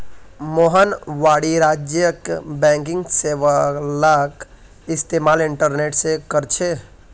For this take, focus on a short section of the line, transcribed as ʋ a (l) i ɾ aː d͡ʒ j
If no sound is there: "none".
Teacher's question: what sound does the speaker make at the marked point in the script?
ɽ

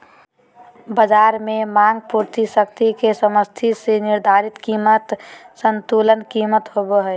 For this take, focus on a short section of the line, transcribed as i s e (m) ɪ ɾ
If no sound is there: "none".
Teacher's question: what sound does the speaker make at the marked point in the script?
n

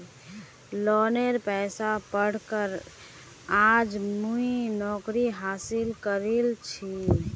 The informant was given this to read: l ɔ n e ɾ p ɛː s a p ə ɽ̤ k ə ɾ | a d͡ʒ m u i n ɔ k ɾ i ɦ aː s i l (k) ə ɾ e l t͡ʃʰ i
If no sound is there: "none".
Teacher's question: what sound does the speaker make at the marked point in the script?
k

